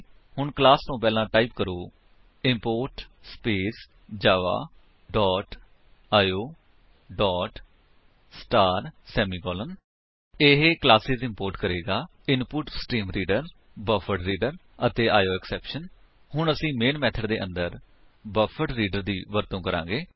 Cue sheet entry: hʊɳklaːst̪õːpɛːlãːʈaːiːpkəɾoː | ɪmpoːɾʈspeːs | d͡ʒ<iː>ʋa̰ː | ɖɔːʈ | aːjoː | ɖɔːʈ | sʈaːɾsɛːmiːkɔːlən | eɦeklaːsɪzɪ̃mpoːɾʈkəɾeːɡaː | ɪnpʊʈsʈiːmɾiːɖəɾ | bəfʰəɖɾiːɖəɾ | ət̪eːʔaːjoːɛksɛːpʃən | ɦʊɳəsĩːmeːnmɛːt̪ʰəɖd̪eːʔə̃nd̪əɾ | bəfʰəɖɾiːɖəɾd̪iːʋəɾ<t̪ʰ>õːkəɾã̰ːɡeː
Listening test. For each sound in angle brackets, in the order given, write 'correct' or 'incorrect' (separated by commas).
incorrect, incorrect